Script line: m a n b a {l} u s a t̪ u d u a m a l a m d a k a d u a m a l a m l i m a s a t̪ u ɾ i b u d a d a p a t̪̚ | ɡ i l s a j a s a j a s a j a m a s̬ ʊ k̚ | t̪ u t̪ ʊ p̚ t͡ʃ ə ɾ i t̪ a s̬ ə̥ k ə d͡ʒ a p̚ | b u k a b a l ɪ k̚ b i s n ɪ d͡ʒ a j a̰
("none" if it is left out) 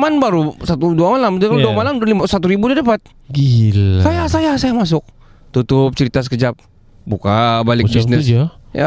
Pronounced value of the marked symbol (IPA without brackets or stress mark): ɾ